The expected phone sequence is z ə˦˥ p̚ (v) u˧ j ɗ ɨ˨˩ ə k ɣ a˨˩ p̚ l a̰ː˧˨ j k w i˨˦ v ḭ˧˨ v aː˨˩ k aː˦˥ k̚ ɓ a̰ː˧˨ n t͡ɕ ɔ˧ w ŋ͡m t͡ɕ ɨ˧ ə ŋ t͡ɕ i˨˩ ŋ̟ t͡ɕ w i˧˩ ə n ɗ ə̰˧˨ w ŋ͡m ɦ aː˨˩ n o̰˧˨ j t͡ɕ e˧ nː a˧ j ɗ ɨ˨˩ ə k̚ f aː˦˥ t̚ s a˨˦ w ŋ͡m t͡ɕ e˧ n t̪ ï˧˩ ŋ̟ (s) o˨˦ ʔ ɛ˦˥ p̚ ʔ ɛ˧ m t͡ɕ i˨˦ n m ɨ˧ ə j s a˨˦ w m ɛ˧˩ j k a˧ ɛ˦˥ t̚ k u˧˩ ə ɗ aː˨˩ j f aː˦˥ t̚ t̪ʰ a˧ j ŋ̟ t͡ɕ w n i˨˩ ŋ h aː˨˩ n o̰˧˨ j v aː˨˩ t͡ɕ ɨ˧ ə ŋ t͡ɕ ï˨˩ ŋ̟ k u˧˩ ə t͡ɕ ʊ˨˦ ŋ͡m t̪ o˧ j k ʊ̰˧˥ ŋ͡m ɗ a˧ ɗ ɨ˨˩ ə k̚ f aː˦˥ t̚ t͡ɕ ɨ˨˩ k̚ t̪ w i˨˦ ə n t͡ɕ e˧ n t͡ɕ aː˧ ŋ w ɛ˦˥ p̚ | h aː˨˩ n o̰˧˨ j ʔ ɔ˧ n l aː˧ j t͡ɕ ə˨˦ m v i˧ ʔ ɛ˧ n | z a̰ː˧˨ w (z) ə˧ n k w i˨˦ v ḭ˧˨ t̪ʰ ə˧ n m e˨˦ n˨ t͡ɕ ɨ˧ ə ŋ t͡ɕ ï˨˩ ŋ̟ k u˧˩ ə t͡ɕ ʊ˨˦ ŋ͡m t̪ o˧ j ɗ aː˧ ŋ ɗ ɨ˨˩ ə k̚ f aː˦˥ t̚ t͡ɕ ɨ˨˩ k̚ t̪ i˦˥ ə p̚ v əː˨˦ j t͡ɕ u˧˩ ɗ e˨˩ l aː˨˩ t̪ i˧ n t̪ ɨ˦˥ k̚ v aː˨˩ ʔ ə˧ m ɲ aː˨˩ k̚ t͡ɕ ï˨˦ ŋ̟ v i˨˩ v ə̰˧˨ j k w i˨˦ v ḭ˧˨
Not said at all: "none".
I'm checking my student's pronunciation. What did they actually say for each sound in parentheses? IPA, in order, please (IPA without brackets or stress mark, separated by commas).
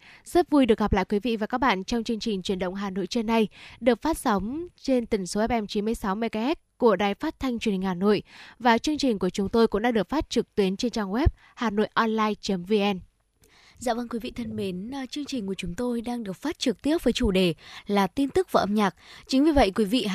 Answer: v, s, v